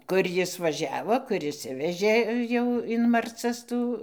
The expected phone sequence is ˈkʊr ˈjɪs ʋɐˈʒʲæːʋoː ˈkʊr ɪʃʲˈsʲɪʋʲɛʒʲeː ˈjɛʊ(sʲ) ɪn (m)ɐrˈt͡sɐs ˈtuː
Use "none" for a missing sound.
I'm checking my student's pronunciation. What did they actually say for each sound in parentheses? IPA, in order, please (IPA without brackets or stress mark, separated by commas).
none, m